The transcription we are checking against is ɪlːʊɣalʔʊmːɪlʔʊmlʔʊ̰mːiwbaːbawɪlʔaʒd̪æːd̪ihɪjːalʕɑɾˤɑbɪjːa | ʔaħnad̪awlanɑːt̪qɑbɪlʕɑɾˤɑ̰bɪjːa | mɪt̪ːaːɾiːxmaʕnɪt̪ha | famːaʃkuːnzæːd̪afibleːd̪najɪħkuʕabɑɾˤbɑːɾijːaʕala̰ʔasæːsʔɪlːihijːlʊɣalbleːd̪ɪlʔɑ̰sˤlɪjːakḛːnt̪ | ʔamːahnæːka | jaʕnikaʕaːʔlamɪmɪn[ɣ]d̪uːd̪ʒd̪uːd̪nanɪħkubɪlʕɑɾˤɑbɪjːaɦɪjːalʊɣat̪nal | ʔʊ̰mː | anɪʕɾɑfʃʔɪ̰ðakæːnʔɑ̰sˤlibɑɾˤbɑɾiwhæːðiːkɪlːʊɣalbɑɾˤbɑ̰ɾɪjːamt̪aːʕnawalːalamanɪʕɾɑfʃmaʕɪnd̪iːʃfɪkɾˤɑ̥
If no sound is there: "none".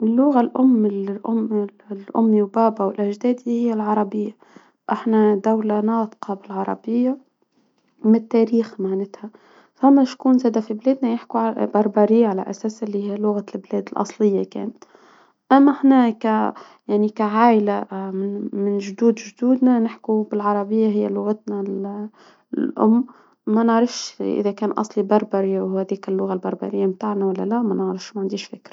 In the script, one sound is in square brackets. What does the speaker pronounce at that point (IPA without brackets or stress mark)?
ʒ